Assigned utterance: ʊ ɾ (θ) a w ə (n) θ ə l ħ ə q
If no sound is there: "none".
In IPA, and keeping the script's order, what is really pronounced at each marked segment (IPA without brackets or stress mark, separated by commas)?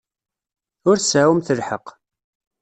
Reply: s, m